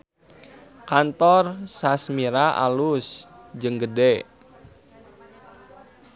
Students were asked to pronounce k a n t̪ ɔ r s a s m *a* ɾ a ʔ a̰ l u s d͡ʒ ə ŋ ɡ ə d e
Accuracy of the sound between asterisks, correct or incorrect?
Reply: incorrect